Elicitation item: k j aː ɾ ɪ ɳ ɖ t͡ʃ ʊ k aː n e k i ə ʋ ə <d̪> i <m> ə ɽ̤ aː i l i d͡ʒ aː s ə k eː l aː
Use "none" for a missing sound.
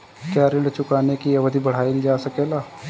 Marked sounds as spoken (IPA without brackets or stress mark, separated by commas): d̪, b